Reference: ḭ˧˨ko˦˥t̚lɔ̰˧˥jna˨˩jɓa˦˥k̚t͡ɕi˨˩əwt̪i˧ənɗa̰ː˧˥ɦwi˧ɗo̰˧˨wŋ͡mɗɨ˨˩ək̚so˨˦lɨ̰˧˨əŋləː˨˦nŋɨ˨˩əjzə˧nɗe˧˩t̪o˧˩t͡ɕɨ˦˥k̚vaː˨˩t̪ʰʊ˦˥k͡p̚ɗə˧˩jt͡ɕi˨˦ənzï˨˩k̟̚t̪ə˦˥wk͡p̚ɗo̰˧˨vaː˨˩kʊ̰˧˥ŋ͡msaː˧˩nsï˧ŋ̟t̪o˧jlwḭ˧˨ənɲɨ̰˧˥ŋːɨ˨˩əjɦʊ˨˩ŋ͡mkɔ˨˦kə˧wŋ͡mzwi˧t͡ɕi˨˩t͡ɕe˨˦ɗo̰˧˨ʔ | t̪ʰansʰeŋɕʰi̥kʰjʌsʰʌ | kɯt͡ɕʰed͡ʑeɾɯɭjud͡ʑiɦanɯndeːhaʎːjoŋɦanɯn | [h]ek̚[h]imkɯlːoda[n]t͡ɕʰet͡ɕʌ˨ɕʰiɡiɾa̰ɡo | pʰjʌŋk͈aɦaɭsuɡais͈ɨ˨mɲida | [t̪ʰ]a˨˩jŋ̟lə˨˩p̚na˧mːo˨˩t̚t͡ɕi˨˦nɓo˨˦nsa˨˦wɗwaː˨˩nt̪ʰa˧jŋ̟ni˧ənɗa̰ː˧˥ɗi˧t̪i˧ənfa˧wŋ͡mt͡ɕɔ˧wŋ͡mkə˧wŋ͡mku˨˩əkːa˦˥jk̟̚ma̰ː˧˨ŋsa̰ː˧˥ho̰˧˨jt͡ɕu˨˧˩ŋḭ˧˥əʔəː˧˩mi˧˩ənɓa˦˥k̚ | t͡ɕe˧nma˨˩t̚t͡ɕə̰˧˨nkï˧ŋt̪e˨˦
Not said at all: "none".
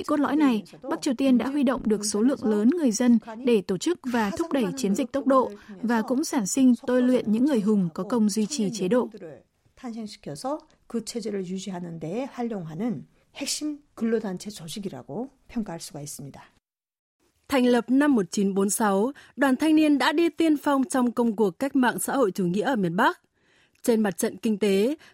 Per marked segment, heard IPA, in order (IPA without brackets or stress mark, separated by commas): h, ɕ, n, t̪ʰ